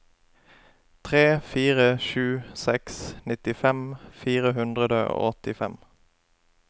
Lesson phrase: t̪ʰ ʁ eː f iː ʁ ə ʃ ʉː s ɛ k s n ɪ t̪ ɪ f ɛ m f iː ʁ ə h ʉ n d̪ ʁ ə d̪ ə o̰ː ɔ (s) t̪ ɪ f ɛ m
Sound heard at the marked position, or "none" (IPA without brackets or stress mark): none